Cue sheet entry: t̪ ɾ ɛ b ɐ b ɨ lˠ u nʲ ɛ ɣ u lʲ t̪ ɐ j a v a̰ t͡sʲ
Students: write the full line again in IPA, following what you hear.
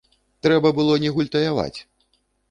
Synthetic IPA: t̪ ɾ ɛ b ɐ b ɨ lˠ ɔ nʲ ɛ ɣ u lʲ t̪ ɐ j a v a̰ t͡sʲ